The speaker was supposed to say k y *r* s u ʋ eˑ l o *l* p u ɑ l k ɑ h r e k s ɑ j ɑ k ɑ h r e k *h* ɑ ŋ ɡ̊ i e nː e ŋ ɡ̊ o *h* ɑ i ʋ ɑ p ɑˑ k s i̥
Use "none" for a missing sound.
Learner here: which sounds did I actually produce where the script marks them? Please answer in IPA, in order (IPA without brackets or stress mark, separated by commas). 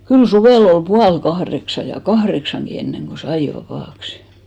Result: l, l, s, s